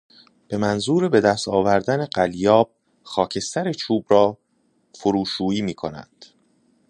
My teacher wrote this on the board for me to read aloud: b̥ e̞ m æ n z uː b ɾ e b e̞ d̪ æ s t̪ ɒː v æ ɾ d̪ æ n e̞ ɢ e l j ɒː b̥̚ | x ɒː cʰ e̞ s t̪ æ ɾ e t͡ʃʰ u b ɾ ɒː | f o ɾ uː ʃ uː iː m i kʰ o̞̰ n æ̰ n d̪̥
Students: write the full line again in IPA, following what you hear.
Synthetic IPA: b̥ e̞ m æ n z uː ɾ e b e̞ d̪ æ s t̪ ɒː v æ ɾ d̪ æ n e̞ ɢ æ l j ɒː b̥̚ | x ɒː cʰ e̞ s t̪ æ ɾ e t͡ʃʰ uː b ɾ ɒː | f o ɾ uː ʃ uː iː m iː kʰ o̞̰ n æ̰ n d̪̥